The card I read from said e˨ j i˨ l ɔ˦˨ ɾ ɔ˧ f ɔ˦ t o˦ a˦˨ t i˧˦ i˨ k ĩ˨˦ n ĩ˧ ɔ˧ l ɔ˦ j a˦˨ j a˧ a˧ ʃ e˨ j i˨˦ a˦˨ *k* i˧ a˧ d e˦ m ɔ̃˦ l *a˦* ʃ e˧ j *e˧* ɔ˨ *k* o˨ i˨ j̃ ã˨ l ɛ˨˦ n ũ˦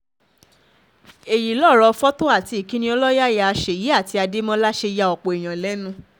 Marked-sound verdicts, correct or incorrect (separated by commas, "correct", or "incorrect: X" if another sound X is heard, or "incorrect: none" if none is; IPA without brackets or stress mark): incorrect: t, correct, incorrect: a˧, incorrect: k͡p